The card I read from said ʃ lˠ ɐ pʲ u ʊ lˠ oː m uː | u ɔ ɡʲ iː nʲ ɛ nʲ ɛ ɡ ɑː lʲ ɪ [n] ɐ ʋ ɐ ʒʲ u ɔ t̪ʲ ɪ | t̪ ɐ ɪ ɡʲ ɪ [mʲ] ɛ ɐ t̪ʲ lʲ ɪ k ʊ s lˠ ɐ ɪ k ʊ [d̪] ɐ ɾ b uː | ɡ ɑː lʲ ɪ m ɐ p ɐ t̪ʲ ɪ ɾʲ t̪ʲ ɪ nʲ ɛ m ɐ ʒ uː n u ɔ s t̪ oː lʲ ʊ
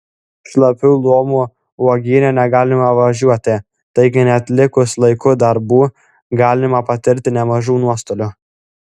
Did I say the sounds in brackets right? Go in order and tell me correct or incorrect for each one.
incorrect: m, incorrect: nʲ, correct

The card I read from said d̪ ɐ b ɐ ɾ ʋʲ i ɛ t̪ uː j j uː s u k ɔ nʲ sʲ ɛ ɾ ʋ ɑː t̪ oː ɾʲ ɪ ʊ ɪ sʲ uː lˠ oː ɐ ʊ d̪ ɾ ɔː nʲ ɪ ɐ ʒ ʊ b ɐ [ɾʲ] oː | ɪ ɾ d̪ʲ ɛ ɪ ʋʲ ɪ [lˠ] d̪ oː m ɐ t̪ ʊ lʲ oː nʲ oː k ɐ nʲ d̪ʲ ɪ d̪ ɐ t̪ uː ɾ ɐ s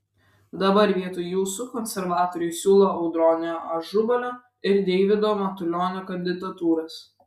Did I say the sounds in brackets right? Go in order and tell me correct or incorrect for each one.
incorrect: lʲ, incorrect: none

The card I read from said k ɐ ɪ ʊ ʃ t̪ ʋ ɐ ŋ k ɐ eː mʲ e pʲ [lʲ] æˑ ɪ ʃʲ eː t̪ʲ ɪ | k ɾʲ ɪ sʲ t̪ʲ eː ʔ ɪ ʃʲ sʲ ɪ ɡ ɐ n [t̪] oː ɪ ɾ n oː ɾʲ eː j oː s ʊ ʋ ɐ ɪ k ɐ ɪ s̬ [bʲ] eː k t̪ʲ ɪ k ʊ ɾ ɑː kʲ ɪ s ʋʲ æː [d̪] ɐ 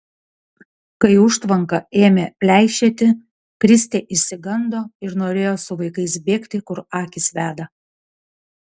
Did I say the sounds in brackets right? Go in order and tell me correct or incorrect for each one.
correct, incorrect: d̪, correct, correct

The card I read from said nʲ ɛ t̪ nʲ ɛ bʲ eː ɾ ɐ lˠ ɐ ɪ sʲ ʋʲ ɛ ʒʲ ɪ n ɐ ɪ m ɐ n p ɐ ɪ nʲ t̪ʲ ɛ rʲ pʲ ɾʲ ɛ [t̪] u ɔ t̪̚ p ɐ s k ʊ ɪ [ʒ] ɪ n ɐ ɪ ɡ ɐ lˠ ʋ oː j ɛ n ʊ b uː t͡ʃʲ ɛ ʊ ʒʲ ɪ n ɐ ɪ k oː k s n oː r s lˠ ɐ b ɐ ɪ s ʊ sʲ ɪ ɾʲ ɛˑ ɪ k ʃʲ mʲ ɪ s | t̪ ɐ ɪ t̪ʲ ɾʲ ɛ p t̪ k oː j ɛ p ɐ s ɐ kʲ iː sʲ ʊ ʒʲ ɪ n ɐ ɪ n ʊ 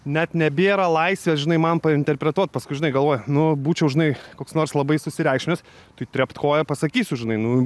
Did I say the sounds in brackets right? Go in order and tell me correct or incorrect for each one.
correct, correct

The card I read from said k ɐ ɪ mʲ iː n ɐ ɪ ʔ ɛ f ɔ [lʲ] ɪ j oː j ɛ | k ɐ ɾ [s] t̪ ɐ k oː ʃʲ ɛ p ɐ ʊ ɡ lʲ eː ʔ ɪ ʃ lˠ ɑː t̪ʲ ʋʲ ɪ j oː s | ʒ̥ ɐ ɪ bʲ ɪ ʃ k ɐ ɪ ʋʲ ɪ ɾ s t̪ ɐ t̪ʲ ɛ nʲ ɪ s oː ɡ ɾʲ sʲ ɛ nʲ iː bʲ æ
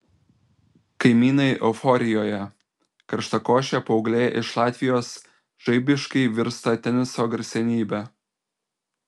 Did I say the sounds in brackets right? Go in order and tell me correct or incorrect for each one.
incorrect: ɾʲ, incorrect: ʃ

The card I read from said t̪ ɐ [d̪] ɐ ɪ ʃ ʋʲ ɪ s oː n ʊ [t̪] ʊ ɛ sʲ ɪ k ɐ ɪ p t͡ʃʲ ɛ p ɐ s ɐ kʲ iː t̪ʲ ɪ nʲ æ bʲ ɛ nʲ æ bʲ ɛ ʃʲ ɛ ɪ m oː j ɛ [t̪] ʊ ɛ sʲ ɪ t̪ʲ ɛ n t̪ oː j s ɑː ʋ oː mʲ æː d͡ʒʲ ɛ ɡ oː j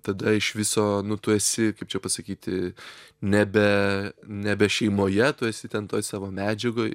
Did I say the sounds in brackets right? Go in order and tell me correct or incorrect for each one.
correct, correct, correct

